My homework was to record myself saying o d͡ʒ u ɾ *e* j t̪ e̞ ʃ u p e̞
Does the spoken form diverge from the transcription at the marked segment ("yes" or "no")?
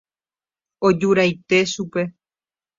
yes